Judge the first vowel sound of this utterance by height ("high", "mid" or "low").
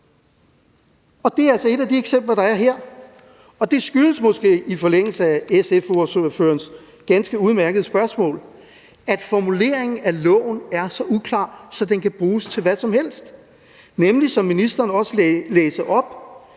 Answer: low